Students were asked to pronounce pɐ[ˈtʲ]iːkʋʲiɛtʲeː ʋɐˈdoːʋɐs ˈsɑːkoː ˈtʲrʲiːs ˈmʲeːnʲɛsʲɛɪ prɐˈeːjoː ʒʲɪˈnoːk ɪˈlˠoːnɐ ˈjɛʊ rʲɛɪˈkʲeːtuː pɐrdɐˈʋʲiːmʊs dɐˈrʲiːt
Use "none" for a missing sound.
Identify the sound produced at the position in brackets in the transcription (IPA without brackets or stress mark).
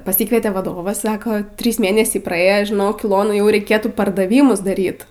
sʲ